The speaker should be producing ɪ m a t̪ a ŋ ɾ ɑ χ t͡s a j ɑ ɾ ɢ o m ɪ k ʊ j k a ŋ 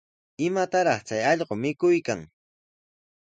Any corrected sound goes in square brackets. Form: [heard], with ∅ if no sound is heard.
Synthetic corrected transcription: ɪ m a t̪ a [∅] ɾ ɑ χ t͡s a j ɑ [ʎ] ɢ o m ɪ k ʊ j k a ŋ